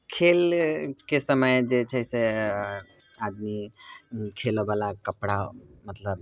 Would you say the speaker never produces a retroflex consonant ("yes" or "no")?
no